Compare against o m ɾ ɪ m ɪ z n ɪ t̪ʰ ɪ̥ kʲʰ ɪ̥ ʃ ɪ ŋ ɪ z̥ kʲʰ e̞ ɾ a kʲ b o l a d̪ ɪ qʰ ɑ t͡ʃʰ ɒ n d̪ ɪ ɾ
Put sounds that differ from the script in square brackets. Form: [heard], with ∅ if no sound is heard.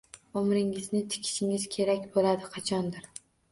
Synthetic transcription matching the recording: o m ɾ ɪ [ŋ] ɪ z n ɪ t̪ʰ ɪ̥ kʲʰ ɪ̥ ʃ ɪ ŋ ɪ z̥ kʲʰ e̞ ɾ a kʲ b o l a d̪ ɪ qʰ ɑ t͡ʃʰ ɒ n d̪ ɪ ɾ